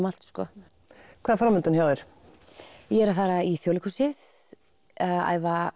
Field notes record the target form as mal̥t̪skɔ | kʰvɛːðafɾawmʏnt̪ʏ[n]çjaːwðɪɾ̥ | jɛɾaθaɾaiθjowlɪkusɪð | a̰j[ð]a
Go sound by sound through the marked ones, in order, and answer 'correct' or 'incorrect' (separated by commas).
correct, incorrect